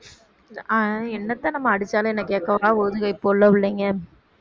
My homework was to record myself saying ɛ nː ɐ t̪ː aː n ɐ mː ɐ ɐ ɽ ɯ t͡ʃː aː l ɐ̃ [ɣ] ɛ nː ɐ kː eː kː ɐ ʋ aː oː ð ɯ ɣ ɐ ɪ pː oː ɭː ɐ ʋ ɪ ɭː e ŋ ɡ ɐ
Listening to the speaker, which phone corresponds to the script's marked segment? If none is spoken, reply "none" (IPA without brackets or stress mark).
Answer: none